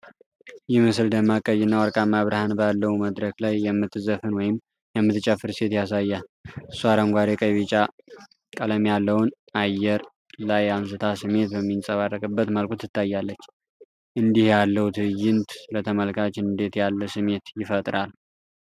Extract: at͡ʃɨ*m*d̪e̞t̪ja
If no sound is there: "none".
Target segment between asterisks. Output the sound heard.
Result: n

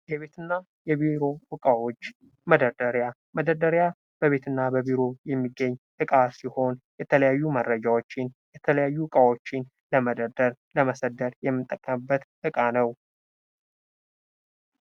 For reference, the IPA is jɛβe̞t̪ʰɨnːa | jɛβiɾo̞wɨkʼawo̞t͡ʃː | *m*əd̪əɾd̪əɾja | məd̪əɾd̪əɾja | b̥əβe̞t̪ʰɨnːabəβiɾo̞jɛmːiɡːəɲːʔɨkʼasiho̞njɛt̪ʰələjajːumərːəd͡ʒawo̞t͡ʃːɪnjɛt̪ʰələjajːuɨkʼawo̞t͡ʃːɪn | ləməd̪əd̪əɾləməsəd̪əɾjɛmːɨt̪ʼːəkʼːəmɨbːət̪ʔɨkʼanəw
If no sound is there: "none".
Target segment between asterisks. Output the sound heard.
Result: m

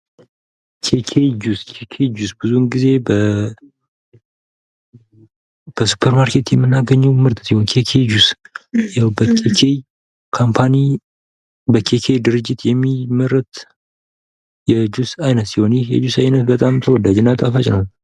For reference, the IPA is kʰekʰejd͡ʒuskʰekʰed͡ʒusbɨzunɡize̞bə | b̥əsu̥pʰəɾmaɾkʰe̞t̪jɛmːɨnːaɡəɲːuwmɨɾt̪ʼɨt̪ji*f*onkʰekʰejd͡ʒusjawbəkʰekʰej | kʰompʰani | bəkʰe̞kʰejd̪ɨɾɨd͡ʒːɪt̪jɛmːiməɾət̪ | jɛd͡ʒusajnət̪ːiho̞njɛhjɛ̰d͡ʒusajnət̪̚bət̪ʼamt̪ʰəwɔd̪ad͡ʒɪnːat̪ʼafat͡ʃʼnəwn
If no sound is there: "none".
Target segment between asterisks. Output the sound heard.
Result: h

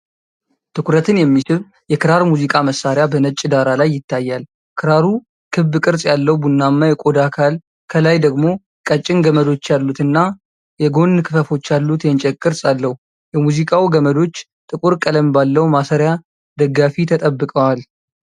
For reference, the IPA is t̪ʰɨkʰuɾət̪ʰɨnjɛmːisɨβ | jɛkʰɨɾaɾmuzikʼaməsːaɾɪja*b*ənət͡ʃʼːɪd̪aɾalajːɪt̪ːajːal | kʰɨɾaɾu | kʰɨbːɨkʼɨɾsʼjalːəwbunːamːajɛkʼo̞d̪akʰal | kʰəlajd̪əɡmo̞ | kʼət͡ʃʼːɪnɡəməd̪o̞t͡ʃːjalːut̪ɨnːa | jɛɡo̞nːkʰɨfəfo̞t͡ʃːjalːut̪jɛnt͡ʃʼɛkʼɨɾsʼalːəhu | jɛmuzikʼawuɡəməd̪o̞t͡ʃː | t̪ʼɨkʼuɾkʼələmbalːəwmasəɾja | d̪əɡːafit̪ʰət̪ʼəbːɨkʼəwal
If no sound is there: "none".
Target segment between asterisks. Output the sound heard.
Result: b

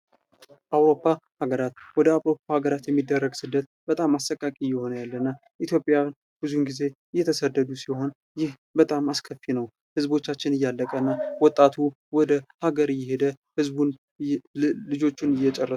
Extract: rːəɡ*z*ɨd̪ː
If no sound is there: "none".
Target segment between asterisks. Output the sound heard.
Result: s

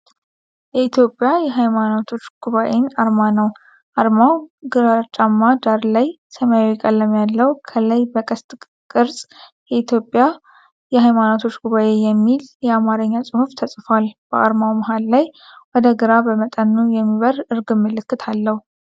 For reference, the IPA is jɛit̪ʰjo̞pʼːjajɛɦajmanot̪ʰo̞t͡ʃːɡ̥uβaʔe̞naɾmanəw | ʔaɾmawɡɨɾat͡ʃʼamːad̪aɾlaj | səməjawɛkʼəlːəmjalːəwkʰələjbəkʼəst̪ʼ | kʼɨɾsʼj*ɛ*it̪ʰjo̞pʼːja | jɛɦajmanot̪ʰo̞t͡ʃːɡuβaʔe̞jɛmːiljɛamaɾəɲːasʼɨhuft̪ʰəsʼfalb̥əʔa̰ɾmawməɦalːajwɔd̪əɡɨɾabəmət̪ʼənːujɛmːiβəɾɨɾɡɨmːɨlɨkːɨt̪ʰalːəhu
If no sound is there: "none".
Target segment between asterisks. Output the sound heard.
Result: ɛ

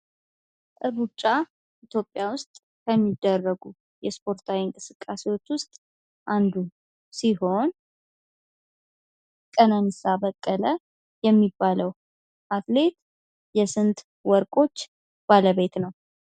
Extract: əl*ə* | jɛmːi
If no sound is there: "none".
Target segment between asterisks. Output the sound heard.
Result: ə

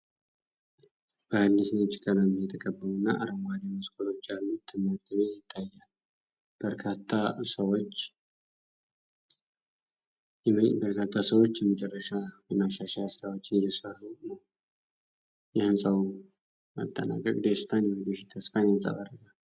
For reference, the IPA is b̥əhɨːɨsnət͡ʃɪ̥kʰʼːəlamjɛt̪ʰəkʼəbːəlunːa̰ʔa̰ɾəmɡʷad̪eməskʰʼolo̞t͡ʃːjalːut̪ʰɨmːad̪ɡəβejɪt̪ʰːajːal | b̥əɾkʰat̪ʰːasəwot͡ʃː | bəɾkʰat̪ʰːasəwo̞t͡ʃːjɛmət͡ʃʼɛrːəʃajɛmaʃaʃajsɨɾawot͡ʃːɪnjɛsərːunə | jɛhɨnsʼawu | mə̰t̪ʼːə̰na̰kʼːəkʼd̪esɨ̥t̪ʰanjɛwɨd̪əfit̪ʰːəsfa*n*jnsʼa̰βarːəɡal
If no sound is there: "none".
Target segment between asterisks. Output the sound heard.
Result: n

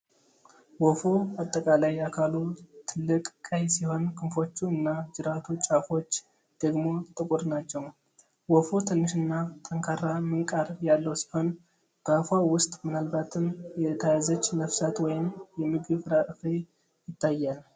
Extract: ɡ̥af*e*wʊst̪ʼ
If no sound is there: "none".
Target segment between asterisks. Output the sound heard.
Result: a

